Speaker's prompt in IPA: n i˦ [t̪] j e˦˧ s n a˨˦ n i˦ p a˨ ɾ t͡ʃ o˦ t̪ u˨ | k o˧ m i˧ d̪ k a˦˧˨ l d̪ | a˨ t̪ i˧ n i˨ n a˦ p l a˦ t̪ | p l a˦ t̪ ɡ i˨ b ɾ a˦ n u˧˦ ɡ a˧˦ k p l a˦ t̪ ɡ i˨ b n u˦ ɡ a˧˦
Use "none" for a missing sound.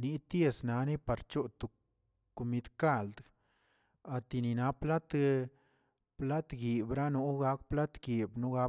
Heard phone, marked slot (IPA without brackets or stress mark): t̪